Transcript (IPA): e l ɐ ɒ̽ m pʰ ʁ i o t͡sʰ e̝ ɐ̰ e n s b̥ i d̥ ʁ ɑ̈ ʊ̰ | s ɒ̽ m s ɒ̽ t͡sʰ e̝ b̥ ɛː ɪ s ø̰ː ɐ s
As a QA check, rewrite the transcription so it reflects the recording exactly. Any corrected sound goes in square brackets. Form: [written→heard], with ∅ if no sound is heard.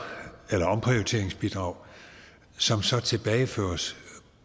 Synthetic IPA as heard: e l ɐ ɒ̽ m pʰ ʁ i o t͡sʰ e̝ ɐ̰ e [n→ŋ] s b̥ i d̥ ʁ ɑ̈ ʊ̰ | s ɒ̽ m s ɒ̽ t͡sʰ e̝ b̥ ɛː ɪ [s→f] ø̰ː ɐ s

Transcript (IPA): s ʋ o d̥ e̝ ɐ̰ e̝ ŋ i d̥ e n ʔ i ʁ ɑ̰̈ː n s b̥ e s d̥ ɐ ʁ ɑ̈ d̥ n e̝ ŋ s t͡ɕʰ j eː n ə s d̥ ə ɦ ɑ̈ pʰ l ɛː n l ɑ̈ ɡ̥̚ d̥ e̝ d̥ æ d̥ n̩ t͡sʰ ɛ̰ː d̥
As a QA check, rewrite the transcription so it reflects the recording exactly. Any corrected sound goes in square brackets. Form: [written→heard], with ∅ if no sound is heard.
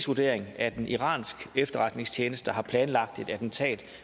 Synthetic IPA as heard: s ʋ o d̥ e̝ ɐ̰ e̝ ŋ [i→æ] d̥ e n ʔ i ʁ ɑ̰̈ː n s [b̥→ɡ̥] e [s→f] d̥ ɐ ʁ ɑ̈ d̥ n e̝ ŋ s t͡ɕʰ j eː n ə s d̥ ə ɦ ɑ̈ pʰ l ɛː n l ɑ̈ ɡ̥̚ d̥ e̝ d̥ æ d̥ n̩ t͡sʰ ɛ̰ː d̥

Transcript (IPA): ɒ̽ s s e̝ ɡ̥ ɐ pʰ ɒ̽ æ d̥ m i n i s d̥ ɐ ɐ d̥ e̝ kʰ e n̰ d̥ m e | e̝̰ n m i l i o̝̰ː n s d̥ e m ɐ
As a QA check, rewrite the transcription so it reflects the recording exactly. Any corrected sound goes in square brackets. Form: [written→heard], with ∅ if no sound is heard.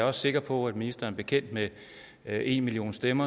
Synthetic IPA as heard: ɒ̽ s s e̝ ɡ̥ ɐ pʰ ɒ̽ æ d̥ m i n i s d̥ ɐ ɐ [d̥→b̥] e̝ kʰ e n̰ d̥ m e | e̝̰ n m i l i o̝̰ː n s d̥ e m ɐ

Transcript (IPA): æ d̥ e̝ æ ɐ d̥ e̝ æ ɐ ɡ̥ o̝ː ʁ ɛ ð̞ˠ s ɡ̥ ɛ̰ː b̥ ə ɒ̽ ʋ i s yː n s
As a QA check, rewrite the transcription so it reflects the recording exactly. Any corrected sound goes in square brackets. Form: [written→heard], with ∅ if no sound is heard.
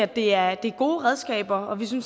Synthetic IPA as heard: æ d̥ e̝ æ ɐ d̥ e̝ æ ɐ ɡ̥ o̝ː ʁ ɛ ð̞ˠ s ɡ̥ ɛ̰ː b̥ [ə→ɐ] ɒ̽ ʋ i s [yː→y] n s

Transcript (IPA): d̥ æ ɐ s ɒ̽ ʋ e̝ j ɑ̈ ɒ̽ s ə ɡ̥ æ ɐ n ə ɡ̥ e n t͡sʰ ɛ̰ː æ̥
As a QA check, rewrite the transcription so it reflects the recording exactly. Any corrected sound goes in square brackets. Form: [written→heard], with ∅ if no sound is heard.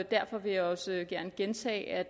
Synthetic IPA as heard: d̥ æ ɐ [s→f] ɒ̽ ʋ e̝ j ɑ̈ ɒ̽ s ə ɡ̥ æ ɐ n ə ɡ̥ e n t͡sʰ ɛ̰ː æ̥

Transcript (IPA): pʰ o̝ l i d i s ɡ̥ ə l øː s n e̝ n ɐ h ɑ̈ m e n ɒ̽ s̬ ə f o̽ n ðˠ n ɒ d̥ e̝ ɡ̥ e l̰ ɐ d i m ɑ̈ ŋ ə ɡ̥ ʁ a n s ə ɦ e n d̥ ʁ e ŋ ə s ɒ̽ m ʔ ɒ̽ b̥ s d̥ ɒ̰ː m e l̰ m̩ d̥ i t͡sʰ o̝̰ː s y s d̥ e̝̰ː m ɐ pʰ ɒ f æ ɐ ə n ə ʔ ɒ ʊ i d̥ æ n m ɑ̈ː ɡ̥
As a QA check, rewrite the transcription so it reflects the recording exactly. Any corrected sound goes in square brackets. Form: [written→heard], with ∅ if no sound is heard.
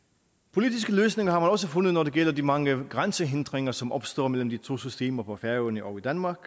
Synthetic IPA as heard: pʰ o̝ l i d i s ɡ̥ ə l øː s n e̝ [n→ŋ] ɐ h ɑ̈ m [e→æ] n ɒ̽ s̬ ə f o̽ n ðˠ n ɒ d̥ e̝ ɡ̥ e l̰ ɐ d i m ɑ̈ ŋ ə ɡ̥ ʁ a n s ə ɦ e n d̥ ʁ e ŋ [ə→ɐ] s ɒ̽ m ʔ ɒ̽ b̥ s d̥ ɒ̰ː m e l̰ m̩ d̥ i t͡sʰ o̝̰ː s y s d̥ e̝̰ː m ɐ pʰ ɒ f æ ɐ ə n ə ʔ ɒ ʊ i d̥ æ n m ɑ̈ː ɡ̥

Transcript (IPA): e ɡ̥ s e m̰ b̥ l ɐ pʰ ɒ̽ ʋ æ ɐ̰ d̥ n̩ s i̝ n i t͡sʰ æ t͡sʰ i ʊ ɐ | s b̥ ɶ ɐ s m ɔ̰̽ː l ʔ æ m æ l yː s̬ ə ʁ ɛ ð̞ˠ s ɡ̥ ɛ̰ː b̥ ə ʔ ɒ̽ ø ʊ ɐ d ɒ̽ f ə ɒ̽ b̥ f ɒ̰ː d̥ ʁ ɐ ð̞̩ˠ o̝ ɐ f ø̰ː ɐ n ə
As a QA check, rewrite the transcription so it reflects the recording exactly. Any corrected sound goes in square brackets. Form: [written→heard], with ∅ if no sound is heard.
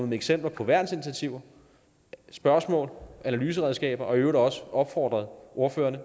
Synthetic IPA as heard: e ɡ̥ s e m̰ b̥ l ɐ pʰ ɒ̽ ʋ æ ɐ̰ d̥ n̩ s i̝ n i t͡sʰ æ t͡sʰ i ʊ ɐ | s b̥ ɶ ɐ s m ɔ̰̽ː l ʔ æ [m→n] æ l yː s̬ ə ʁ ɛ ð̞ˠ s ɡ̥ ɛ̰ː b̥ [ə→ɐ] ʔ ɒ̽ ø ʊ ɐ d ɒ̽ [f→s] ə ɒ̽ b̥ f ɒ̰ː d̥ ʁ ɐ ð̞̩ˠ o̝ ɐ f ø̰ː ɐ n ə

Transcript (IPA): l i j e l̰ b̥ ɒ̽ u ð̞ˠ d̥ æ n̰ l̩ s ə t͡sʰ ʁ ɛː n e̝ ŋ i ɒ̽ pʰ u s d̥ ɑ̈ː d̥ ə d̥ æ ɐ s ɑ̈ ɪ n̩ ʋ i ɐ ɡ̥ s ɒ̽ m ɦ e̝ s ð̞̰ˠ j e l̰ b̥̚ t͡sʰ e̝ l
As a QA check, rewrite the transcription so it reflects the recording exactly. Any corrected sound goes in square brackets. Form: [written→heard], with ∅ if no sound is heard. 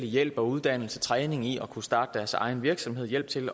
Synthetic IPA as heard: l i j e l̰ b̥ ɒ̽ u ð̞ˠ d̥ æ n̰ l̩ s ə t͡sʰ ʁ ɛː n e̝ ŋ i ɒ̽ [pʰ→kʰ] u s d̥ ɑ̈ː d̥ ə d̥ æ ɐ s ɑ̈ ɪ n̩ ʋ i ɐ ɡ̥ s ɒ̽ m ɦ e̝ [s→∅] ð̞̰ˠ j e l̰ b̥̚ t͡sʰ e̝ l

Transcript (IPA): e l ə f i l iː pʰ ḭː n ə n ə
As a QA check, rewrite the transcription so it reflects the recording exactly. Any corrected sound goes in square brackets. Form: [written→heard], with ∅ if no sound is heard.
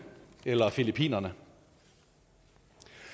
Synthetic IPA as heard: e l [ə→ɐ] f i l [iː→i] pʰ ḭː n [ə→ɐ] n ə

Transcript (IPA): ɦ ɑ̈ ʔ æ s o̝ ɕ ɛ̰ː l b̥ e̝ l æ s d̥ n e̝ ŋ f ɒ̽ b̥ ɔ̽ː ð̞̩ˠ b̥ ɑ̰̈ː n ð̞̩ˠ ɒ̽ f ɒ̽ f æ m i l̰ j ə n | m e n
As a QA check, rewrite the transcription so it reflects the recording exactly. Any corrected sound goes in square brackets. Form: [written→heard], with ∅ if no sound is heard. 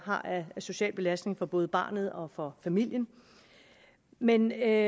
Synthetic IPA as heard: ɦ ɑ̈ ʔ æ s o̝ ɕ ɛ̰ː l b̥ e̝ l æ s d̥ n e̝ ŋ f ɒ̽ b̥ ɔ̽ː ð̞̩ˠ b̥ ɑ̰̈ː n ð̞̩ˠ ɒ̽ f ɒ̽ f æ m i l̰ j ə n | m e n

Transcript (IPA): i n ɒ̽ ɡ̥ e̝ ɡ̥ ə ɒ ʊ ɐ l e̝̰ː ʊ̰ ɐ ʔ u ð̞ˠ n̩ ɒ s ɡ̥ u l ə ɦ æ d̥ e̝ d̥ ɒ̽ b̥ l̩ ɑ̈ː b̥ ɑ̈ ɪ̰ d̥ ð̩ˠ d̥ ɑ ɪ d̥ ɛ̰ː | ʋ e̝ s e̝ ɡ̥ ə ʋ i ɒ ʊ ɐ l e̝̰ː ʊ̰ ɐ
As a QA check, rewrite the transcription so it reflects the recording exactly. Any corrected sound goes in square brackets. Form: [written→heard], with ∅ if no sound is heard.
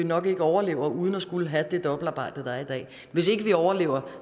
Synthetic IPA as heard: i n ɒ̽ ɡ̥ e̝ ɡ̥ ə ɒ ʊ ɐ l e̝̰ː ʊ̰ ɐ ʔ u ð̞ˠ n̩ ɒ s ɡ̥ u l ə ɦ æ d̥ e̝ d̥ ɒ̽ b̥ l̩ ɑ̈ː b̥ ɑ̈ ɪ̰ d̥ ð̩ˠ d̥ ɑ [ɪ→i] d̥ ɛ̰ː | ʋ e̝ s e̝ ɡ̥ ə ʋ i ɒ ʊ ɐ l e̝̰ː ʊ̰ ɐ

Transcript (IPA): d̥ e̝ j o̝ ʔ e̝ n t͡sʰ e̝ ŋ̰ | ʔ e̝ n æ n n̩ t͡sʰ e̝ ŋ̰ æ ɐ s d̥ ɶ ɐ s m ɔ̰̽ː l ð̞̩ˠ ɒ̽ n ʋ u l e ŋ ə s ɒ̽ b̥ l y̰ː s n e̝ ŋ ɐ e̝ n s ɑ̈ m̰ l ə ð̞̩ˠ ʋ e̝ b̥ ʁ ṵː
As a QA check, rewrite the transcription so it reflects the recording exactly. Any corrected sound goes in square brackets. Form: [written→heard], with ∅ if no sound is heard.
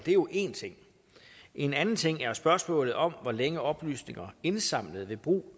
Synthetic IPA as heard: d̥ e̝ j o̝ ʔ e̝ n t͡sʰ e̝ ŋ̰ | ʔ e̝ n æ n n̩ t͡sʰ e̝ ŋ̰ æ ɐ s [d̥→b̥] ɶ ɐ s m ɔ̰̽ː l ð̞̩ˠ ɒ̽ [n→m] ʋ [u→ɒ] l e ŋ ə [s→∅] ɒ̽ b̥ l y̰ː s n e̝ ŋ ɐ e̝ n s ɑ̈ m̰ l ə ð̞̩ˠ ʋ e̝ b̥ ʁ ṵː

